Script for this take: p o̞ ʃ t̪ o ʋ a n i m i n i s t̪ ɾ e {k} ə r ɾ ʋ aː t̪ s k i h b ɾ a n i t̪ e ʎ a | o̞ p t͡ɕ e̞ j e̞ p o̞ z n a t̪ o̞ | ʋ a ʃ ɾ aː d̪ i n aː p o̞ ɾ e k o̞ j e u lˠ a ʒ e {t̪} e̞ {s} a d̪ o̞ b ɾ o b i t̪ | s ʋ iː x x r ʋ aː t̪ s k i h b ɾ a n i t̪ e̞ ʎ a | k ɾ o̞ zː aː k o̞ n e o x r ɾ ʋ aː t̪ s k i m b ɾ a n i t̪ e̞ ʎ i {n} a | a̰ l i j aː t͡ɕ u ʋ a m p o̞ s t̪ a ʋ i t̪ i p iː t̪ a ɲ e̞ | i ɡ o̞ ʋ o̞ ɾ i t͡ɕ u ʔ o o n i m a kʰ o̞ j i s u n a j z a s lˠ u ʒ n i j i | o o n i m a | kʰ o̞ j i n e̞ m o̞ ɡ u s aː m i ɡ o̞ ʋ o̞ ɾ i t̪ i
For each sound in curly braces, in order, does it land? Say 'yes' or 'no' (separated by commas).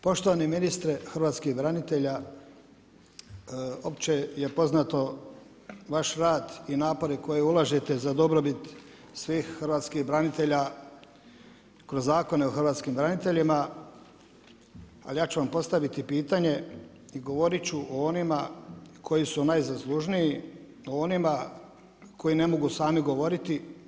no, yes, no, no